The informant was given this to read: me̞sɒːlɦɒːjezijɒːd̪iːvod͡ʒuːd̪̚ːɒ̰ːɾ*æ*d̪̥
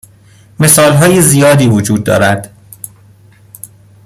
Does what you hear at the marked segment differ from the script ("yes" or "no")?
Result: no